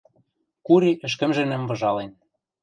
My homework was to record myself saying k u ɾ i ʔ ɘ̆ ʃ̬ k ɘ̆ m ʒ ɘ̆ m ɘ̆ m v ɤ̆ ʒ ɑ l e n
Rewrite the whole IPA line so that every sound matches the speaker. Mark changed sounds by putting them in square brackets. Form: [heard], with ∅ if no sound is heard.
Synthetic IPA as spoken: k u ɾ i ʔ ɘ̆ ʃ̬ k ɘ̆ m ʒ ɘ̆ [n] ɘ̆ m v ɤ̆ ʒ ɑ l e n